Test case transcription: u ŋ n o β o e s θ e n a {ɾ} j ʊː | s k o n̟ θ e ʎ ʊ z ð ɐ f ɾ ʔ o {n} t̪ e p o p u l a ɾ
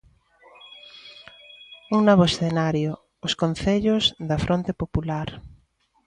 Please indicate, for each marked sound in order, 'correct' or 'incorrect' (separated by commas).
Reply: correct, correct